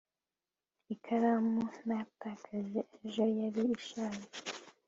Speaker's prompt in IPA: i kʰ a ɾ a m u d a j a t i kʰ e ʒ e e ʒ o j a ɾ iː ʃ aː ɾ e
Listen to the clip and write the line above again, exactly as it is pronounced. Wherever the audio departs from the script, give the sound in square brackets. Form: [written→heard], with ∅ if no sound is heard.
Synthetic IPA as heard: i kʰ a ɾ a m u [d→n] a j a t [i→a] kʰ [e→a] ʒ e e ʒ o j a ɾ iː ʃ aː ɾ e